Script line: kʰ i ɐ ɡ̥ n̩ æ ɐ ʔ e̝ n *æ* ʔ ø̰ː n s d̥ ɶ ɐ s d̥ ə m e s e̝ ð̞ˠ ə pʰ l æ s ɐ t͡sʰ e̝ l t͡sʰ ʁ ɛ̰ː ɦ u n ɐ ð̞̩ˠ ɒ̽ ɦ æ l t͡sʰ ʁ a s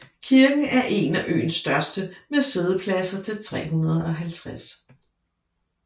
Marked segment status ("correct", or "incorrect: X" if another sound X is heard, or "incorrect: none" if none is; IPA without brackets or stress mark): correct